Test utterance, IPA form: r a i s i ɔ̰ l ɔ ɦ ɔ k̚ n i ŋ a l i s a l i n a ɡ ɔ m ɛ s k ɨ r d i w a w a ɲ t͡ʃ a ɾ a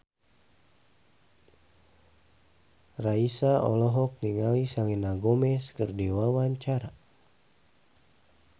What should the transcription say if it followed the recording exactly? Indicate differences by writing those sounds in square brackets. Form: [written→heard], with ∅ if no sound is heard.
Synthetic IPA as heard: r a i s [i→a] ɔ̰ l ɔ ɦ ɔ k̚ n i ŋ a l i s a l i n a ɡ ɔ m ɛ s k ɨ r d i w a w a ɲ t͡ʃ a ɾ a